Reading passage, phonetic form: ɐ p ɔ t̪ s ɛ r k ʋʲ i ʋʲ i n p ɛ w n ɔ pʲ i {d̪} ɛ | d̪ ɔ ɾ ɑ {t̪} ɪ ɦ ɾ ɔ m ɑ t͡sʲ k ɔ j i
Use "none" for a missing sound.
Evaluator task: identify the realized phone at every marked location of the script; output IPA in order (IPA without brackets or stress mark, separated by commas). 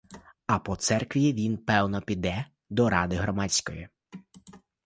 d̪, d̪